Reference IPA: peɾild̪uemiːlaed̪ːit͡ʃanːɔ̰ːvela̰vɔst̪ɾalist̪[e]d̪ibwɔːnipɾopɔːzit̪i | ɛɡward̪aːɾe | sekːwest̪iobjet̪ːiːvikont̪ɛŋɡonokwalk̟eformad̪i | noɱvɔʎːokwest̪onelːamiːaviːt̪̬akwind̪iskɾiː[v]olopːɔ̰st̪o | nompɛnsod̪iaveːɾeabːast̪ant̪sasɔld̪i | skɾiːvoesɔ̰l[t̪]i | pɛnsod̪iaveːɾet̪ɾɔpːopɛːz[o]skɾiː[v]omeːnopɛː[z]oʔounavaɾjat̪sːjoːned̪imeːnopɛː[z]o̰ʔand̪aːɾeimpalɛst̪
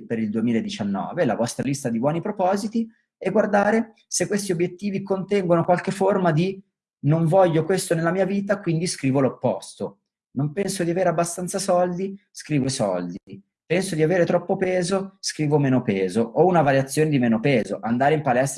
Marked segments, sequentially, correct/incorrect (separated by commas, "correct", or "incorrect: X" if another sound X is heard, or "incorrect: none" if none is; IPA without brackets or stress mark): incorrect: a, correct, incorrect: d̪, correct, correct, correct, correct